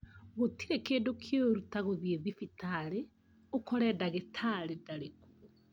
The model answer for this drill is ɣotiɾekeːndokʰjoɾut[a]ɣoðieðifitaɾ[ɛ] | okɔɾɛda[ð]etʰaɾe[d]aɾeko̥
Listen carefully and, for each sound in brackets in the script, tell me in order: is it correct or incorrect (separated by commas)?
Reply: correct, incorrect, incorrect, correct